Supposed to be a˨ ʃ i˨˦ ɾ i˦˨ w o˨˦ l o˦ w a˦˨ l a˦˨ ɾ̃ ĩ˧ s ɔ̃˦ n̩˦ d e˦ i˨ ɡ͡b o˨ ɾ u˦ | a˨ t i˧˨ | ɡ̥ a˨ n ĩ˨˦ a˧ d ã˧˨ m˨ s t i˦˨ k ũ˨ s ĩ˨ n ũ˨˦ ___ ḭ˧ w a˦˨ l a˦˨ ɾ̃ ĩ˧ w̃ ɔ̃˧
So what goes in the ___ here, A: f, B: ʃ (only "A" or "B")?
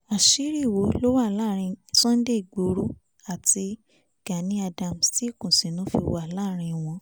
A